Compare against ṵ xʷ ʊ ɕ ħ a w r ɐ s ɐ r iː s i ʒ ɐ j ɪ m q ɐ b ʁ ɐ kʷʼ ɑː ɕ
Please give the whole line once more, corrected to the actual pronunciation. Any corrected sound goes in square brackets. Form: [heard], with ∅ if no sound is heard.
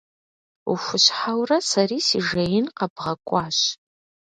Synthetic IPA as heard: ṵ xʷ ʊ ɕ ħ a w r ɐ s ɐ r iː s i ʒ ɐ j ɪ [n] q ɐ b ʁ ɐ kʷʼ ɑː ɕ